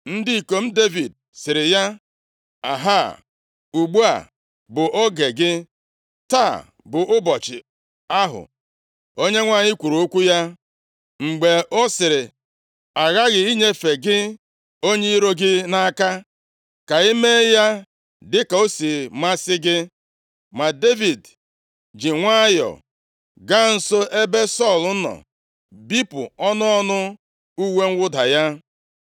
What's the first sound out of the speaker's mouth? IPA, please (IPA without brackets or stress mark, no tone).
n̩